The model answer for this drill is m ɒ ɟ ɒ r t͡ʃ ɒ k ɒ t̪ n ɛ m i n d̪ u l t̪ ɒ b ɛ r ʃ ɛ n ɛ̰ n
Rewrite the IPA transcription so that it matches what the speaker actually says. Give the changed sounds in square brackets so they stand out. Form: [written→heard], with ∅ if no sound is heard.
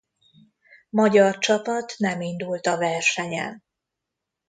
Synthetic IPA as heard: m ɒ ɟ ɒ r t͡ʃ ɒ [k→p] ɒ t̪ n ɛ m i n d̪ u l t̪ ɒ [b→v] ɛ r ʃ ɛ [n→ɲ] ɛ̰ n